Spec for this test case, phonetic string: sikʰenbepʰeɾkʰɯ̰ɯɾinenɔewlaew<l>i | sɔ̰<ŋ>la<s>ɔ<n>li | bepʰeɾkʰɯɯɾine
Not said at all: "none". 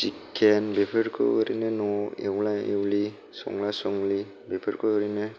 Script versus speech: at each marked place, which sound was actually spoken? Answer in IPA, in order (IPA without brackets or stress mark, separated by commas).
l, ŋ, s, ŋ